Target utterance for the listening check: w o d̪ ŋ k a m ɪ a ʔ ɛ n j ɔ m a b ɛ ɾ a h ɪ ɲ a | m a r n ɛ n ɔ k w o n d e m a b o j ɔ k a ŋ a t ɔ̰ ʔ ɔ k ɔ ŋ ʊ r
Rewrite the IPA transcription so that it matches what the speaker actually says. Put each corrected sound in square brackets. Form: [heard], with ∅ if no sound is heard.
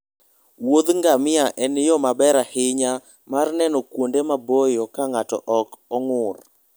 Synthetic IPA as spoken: w o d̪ ŋ [ɡ] a m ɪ a ʔ ɛ n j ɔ m a b ɛ ɾ a h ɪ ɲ a | m a r n ɛ n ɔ k w o n d e m a b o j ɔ k a ŋ a t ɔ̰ ʔ ɔ k ɔ ŋ ʊ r